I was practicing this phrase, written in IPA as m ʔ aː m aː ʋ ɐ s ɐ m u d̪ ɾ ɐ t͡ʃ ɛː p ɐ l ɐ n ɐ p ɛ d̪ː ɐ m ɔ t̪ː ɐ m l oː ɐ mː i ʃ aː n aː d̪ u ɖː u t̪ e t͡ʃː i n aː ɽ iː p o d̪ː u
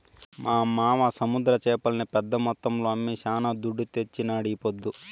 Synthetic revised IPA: m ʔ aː m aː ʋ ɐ s ɐ m u d̪ ɾ ɐ t͡ʃ ɛː p ɐ l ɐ n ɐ p ɛ d̪ː ɐ m ɔ t̪ː ɐ m l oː ɐ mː i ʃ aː n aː d̪ u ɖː u t̪ e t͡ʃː i n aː ɽ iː p o d̪ː u

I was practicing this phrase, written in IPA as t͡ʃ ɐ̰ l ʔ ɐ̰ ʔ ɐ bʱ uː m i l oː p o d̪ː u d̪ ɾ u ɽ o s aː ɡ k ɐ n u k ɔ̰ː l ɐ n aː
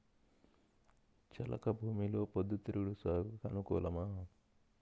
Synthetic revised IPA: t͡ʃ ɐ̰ l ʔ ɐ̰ k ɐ bʱ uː m i l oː p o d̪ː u t̪ ɾ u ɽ u s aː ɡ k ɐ n u k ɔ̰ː l ɐ m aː

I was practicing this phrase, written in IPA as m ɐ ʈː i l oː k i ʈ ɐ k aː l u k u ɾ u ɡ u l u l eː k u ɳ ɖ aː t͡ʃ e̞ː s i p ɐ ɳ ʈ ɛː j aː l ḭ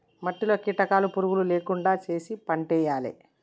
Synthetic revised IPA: m ɐ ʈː i l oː k i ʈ ɐ k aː l u p u ɾ u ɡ u l u l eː k u ɳ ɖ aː t͡ʃ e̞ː s i p ɐ ɳ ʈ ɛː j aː l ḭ

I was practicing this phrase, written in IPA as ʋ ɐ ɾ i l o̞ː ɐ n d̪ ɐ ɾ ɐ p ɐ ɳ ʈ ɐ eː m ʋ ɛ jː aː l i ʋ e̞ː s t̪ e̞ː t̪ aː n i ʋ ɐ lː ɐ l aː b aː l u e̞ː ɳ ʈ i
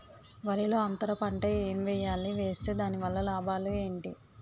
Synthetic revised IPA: ʋ ɐ ɾ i l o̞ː ɐ n t̪ ɐ ɾ ɐ p ɐ ɳ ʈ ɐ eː m ʋ ɛ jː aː l i ʋ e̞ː s t̪ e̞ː d̪ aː n i ʋ ɐ lː ɐ l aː b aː l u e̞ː ɳ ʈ i

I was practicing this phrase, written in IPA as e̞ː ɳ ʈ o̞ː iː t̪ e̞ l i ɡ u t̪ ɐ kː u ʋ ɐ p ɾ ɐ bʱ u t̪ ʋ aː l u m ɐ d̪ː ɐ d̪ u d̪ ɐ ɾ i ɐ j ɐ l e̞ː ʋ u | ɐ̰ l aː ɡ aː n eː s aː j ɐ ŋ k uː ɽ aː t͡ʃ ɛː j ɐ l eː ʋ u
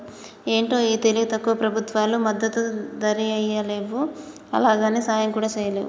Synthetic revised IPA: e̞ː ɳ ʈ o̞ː iː t̪ e̞ l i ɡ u t̪ ɐ kː u ʋ ɐ p ɾ ɐ bʱ u t̪ ʋ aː l u m ɐ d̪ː ɐ t̪ u d̪ ɐ ɾ i ɐ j ɐ l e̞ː ʋ u | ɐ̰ l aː ɡ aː n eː s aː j ɐ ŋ k uː ɽ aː t͡ʃ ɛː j ɐ l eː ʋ u

